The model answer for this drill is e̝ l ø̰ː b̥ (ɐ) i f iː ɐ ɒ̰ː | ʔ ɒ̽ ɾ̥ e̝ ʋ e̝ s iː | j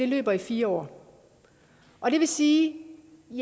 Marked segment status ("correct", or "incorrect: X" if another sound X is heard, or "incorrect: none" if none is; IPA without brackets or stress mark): correct